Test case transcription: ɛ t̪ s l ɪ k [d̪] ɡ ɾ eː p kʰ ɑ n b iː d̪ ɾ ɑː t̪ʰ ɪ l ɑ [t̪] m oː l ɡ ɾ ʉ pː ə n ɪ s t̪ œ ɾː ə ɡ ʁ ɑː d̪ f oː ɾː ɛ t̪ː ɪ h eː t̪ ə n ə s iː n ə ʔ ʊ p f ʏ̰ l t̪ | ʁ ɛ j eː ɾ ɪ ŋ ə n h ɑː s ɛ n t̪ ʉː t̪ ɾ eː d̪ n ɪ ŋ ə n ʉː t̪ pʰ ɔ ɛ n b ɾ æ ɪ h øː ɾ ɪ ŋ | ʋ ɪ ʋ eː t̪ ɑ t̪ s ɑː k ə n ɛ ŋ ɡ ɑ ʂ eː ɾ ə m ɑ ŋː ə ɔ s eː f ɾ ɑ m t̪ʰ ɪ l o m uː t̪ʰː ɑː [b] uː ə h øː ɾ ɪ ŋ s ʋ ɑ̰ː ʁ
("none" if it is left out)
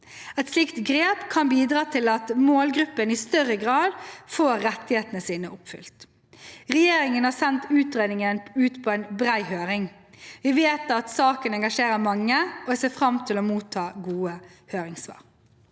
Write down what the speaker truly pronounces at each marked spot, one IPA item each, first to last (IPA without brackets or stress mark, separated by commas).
t̪, t̪, ɡ